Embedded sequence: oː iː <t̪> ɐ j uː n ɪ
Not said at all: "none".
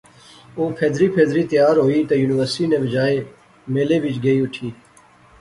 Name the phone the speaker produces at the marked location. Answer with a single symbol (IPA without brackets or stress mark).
t̪